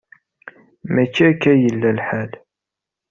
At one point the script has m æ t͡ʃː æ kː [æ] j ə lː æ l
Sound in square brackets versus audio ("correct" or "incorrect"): correct